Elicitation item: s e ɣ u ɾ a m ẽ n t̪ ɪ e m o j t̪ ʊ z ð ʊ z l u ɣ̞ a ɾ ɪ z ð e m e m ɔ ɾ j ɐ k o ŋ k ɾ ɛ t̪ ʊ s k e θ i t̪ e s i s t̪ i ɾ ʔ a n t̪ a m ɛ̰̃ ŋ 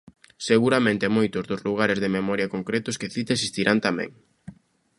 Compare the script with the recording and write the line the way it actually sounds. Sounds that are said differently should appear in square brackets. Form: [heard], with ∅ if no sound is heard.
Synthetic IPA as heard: s e ɣ u ɾ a m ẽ n t̪ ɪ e m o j t̪ ʊ z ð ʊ z l u ɣ̞ a ɾ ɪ z ð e m e m ɔ ɾ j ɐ k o ŋ k ɾ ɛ t̪ ʊ s k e θ i t̪ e s i s t̪ i ɾ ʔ a n t̪ a m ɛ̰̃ ŋ